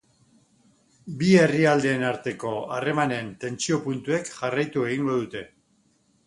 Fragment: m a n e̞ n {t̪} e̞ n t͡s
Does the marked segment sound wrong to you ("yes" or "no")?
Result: no